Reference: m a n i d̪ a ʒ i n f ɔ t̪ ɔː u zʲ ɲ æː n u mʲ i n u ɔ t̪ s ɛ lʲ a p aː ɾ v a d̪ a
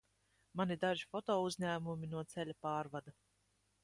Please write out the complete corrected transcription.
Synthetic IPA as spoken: m a n i d̪ a ʒ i f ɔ t̪ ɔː u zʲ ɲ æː m u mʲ i n u ɔ t̪ s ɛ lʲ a p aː ɾ v a d̪ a